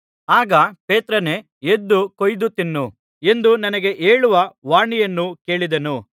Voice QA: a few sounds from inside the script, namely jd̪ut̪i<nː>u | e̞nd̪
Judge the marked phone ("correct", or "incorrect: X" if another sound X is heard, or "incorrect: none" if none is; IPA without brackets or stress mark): correct